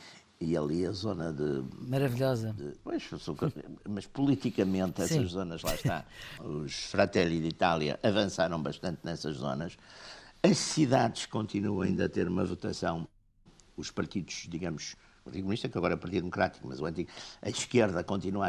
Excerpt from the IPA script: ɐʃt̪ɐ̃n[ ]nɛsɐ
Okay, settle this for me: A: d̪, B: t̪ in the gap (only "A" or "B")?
B